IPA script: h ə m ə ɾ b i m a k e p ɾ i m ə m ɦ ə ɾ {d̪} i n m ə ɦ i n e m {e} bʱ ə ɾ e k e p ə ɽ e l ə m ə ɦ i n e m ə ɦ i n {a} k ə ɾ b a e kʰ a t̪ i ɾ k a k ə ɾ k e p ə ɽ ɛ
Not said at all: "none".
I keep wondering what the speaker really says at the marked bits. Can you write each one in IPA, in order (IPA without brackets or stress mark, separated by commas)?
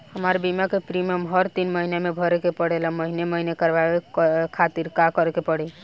t̪, e, e